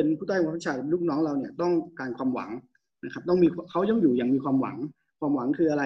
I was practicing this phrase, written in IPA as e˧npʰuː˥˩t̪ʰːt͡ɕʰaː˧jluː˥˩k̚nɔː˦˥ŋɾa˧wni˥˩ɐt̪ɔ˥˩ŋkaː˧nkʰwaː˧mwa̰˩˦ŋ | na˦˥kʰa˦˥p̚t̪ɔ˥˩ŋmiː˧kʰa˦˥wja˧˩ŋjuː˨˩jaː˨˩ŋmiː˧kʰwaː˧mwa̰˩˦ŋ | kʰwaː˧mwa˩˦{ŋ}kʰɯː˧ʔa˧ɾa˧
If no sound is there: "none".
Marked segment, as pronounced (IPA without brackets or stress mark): ŋ